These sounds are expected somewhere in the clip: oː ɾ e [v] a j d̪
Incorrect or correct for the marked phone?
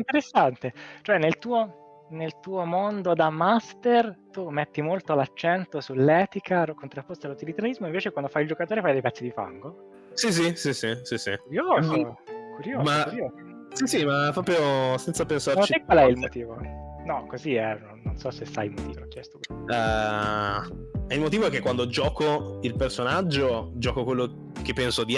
incorrect: f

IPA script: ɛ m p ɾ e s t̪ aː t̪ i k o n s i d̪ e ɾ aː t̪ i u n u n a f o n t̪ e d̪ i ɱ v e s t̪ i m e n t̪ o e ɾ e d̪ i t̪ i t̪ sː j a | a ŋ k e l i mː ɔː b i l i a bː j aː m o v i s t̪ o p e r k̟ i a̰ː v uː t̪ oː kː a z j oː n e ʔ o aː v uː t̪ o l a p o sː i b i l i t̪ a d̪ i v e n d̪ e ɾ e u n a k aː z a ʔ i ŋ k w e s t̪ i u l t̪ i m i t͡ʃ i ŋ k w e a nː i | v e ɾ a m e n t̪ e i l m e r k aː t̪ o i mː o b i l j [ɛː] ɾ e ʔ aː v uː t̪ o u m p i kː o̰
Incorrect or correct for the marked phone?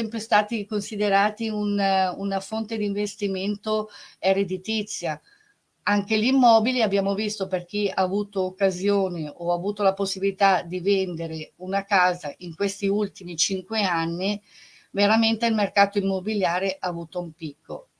incorrect: aː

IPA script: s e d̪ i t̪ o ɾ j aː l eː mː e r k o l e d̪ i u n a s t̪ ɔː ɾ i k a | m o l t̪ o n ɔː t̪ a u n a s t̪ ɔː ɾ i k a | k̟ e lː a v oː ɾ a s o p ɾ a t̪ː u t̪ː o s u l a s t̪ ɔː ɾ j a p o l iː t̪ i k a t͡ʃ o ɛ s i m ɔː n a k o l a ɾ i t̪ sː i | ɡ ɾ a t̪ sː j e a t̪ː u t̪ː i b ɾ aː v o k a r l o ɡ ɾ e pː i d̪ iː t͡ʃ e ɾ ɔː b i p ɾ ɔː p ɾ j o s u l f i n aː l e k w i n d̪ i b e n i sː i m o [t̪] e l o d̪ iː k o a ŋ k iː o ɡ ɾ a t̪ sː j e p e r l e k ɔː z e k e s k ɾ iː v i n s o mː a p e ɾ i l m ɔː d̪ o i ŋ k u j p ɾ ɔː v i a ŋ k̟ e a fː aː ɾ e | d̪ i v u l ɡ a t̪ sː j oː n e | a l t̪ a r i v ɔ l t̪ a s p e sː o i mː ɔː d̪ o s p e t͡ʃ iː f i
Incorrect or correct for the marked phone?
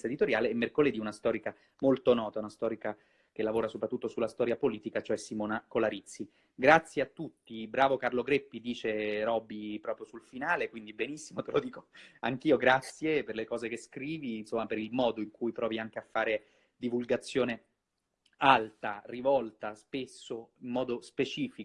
correct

